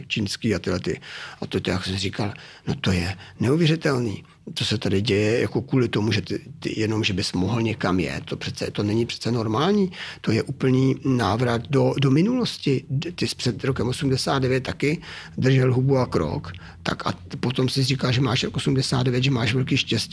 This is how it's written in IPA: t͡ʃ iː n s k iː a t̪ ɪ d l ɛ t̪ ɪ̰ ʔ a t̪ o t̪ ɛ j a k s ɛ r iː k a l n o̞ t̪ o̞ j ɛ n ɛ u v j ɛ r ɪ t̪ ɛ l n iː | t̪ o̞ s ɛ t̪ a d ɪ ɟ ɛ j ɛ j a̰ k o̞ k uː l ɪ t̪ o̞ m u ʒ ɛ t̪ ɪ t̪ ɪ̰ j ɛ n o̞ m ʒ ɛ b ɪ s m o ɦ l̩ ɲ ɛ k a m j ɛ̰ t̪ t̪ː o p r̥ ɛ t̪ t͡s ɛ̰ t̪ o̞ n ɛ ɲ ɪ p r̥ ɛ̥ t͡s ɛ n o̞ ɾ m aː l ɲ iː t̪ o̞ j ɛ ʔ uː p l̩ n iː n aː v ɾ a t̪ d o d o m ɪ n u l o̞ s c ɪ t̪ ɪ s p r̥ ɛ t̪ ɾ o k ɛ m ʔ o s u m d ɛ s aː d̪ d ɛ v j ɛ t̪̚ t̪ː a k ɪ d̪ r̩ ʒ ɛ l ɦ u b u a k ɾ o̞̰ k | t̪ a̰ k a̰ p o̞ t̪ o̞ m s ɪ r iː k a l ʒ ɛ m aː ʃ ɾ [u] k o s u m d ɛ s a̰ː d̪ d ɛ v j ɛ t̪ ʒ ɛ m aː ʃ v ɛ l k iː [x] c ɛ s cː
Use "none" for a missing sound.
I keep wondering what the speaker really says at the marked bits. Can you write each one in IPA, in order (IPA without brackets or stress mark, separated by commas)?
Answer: o, ʃ